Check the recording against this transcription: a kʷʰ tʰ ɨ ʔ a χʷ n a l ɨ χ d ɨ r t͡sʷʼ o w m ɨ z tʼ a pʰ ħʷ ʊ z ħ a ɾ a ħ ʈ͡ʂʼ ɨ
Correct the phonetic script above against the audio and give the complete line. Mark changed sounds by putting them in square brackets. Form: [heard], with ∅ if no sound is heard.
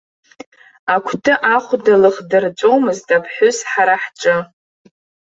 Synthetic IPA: a kʷʰ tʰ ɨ ʔ a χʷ [d] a l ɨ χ d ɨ r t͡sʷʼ o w m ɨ z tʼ a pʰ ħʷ ʊ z ħ a ɾ a ħ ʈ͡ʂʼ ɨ